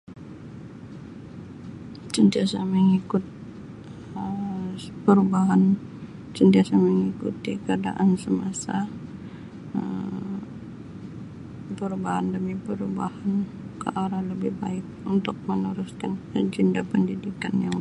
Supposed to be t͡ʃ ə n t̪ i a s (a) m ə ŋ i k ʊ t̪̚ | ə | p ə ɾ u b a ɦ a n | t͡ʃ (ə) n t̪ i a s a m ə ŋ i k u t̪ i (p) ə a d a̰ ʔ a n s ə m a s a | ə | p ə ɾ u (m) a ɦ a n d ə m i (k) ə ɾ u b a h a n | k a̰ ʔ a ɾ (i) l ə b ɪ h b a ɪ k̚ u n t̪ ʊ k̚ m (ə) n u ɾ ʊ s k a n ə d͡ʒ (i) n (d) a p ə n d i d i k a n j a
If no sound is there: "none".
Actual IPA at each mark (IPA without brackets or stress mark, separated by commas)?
a, ə, k, b, p, a, ə, i, d